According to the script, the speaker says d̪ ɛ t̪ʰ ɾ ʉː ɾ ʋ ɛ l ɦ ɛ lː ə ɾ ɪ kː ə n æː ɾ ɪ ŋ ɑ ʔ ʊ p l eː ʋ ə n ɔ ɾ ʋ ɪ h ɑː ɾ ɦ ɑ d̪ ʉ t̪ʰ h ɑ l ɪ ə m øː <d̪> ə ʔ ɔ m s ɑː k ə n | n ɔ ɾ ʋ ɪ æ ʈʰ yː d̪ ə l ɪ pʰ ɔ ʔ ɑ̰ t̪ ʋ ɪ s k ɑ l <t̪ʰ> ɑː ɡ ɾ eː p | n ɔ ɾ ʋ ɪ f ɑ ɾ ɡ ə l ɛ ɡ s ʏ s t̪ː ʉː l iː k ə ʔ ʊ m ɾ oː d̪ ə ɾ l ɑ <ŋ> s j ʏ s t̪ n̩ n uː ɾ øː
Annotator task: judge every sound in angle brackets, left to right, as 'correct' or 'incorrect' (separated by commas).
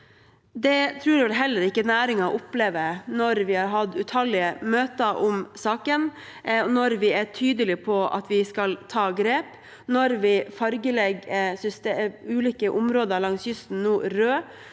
incorrect, correct, correct